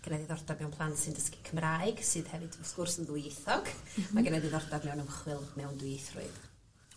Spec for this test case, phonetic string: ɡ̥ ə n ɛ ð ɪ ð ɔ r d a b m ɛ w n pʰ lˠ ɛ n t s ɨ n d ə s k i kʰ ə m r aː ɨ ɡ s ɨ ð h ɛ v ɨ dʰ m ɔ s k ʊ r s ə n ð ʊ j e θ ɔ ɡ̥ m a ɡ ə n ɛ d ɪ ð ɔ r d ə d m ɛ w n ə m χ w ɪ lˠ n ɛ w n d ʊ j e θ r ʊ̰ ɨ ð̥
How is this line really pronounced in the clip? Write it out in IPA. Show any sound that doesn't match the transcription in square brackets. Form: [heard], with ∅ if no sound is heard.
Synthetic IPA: ɡ̥ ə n ɛ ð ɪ ð ɔ r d a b m ɛ w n pʰ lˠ [a] n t s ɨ n d ə s k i kʰ ə m r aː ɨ ɡ s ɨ ð h ɛ v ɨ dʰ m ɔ s k ʊ r s ə n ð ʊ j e θ ɔ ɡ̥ m a ɡ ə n ɛ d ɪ ð ɔ r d [a] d m ɛ w n ə m χ w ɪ lˠ [m] ɛ w n d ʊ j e θ r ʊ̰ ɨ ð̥